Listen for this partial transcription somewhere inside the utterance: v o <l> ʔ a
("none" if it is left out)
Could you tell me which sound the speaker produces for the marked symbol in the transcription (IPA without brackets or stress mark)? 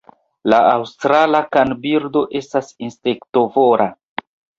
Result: ɾ